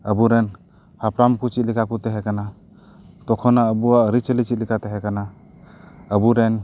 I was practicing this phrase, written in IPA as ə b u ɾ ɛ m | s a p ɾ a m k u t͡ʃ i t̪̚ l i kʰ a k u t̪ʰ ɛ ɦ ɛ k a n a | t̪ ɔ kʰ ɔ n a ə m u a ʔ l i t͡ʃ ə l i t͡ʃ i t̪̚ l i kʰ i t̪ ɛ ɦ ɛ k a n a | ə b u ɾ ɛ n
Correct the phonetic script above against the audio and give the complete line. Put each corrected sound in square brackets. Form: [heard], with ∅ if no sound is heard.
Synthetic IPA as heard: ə b u ɾ ɛ [n] | [h] a p ɾ a m k u t͡ʃ i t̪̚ l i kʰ a k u [t̪] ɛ ɦ ɛ k a n a | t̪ ɔ kʰ ɔ n a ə [b] u a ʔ [ɾ] i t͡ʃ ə l i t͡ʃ i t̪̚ l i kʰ [a] t̪ ɛ ɦ ɛ k a n a | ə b u ɾ ɛ n

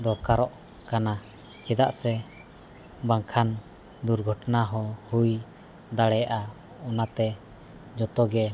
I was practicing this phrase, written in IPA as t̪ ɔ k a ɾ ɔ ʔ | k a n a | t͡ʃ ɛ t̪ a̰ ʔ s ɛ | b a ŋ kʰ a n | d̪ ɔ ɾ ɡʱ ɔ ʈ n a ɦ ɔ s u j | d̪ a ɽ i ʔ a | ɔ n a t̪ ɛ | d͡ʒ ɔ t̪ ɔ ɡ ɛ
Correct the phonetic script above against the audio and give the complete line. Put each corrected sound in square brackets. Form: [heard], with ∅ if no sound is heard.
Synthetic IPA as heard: [d̪] ɔ k a ɾ ɔ ʔ | k a n a | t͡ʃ ɛ [d̪] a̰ ʔ s ɛ | b a ŋ kʰ a n | d̪ [u] ɾ ɡʱ ɔ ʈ n a ɦ ɔ [h] u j | d̪ a ɽ [ɛ] ʔ a | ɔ n a t̪ ɛ | d͡ʒ ɔ t̪ ɔ ɡ ɛ

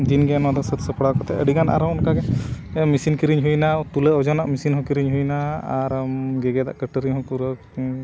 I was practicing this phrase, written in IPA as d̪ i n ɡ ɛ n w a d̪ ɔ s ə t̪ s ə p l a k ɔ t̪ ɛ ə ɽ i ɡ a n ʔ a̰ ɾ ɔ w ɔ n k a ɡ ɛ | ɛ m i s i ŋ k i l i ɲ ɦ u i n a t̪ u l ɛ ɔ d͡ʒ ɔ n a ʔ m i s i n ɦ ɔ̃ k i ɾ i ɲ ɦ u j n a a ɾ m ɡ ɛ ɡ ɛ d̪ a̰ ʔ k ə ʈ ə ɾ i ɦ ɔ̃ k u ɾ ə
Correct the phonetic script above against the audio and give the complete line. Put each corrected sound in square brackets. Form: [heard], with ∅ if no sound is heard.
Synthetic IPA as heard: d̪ i n ɡ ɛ n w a d̪ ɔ s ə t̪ s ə p [ɽ] a k ɔ t̪ ɛ ə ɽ i ɡ a n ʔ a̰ ɾ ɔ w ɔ n k a ɡ ɛ | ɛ m i s i [n] k i [ɾ] i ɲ ɦ u [j] n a t̪ u l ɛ ɔ d͡ʒ ɔ n a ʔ m i s i n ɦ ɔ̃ k i ɾ i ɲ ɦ u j n a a ɾ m ɡ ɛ ɡ ɛ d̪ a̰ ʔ k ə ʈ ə ɾ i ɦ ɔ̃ k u ɾ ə

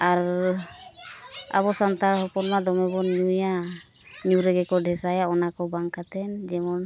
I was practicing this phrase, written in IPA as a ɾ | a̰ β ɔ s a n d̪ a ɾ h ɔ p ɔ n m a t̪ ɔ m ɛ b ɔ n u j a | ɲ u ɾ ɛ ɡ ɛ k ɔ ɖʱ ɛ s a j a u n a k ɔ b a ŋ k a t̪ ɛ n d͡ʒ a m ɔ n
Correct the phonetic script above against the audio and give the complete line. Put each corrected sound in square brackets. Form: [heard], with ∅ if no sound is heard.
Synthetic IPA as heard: a ɾ | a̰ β ɔ s a n [t̪] a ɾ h ɔ p ɔ n m a [d̪] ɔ m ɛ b ɔ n u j a | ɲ u ɾ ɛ ɡ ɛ k ɔ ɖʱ ɛ s a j a [ɔ] n a k ɔ b a ŋ k a t̪ ɛ n d͡ʒ [ɛ] m ɔ n

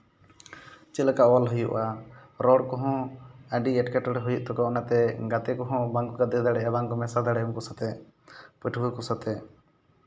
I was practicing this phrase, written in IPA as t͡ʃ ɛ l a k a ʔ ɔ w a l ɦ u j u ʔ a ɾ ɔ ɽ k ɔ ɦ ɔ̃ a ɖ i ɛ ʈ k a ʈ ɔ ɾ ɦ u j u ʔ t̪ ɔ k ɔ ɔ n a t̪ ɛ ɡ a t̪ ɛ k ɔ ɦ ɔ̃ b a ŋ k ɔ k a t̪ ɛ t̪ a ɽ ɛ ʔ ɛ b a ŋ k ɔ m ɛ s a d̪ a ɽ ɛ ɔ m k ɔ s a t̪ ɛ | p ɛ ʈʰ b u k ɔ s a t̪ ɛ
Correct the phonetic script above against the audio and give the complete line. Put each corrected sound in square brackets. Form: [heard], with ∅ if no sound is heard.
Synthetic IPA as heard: t͡ʃ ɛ l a k a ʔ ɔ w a l ɦ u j u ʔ a ɾ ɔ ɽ k ɔ ɦ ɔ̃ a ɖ i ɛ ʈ k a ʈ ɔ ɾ ɦ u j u ʔ t̪ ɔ k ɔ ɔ n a t̪ ɛ ɡ a t̪ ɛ k ɔ ɦ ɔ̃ b a ŋ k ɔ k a [d̪] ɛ [d̪] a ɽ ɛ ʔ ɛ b a ŋ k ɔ m ɛ s a d̪ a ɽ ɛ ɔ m k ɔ s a t̪ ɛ | p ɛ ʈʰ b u k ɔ s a t̪ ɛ

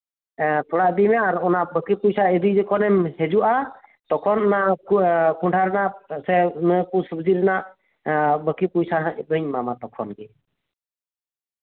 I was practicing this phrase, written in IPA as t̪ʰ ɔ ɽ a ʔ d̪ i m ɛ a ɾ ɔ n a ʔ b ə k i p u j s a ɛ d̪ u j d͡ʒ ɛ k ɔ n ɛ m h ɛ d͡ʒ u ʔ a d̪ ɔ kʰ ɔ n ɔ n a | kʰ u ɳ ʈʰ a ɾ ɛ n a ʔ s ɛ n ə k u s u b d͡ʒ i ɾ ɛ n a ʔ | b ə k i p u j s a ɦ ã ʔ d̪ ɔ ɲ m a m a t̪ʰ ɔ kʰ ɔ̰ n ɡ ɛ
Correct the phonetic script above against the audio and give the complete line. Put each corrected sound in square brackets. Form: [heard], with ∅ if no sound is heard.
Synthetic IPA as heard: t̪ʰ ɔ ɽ a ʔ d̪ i m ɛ a ɾ ɔ n a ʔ b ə k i p u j s a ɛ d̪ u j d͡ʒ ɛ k ɔ n ɛ m h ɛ d͡ʒ u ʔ a [t̪] ɔ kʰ ɔ n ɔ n a | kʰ u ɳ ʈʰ a ɾ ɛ n a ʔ s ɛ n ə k u s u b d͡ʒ i ɾ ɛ n a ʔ | b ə k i p u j s a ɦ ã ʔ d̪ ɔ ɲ m a m a [t̪] ɔ kʰ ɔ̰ n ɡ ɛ

